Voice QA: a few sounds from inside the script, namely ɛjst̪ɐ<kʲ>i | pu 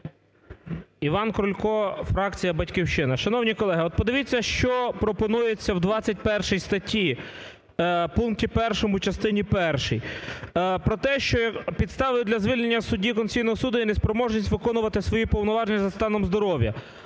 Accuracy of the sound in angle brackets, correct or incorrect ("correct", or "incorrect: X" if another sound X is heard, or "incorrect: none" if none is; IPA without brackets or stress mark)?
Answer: incorrect: tʲ